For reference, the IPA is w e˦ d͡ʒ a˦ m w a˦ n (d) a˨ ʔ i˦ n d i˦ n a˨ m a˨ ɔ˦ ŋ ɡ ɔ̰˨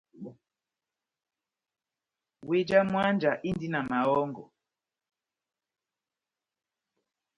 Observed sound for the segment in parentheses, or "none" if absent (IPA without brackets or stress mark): d͡ʒ